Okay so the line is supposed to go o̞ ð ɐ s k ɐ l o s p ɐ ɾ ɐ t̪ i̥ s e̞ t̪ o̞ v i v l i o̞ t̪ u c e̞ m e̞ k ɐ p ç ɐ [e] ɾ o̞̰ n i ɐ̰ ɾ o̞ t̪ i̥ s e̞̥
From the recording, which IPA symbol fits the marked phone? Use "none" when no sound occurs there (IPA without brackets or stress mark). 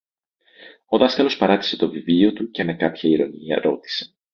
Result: i